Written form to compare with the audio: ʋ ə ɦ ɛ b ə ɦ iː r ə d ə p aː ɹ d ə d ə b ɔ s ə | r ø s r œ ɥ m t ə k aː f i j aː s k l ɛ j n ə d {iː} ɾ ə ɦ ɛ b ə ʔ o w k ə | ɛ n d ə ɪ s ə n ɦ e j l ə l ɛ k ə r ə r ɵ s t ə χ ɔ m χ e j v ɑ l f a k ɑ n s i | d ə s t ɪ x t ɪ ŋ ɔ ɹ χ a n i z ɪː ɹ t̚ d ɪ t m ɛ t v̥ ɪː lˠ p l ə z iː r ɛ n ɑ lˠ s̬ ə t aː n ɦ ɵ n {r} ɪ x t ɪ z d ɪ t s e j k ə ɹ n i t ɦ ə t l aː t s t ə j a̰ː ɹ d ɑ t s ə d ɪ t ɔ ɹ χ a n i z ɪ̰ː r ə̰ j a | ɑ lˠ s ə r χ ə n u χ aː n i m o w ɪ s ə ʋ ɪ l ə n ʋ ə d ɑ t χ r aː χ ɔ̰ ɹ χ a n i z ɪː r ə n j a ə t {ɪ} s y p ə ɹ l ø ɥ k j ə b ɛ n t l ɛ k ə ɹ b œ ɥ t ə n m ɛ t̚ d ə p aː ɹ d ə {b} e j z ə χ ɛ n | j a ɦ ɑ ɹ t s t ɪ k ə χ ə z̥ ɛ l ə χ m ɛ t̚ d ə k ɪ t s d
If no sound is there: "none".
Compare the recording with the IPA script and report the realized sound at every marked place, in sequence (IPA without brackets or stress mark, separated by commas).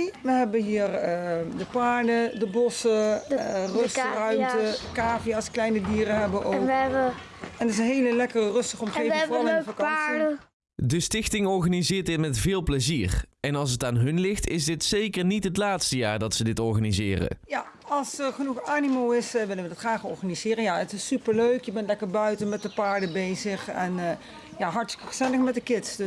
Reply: iː, l, ɪ, b